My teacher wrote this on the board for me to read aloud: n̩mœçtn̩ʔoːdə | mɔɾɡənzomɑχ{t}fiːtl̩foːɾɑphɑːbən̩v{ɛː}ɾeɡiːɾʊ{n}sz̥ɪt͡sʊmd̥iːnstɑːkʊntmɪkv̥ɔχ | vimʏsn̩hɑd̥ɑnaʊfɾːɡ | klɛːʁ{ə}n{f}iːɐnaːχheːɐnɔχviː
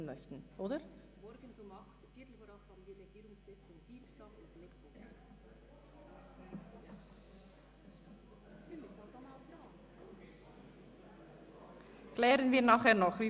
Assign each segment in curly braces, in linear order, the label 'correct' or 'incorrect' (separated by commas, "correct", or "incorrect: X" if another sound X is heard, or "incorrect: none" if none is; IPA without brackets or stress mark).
correct, incorrect: iː, incorrect: ŋ, correct, incorrect: v